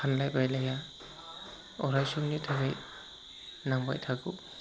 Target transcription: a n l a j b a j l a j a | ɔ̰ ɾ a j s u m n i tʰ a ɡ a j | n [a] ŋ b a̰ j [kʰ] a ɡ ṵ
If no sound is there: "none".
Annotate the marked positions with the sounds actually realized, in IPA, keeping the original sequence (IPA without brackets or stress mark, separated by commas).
a, tʰ